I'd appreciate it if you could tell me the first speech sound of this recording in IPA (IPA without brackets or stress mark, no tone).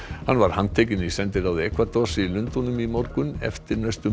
h